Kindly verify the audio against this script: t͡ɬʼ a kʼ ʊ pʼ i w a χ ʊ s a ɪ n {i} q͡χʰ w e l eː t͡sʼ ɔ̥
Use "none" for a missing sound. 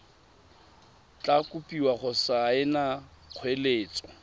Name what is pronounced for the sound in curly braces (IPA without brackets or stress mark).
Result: a